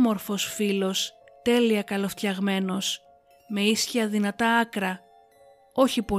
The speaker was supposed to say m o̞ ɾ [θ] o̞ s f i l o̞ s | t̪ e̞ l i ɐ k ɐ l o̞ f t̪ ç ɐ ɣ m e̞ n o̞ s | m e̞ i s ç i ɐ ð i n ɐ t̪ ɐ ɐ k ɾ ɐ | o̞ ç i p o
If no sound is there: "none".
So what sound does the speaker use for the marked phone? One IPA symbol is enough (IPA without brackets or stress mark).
f